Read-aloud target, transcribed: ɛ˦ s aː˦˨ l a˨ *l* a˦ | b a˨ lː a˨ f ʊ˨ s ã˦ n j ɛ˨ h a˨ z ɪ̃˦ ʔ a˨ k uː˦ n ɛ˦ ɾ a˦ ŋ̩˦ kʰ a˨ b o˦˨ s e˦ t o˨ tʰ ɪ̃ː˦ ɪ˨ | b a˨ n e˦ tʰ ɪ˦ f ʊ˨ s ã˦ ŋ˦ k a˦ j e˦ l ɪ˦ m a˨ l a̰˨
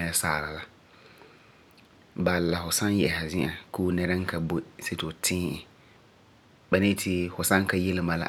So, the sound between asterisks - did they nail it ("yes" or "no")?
yes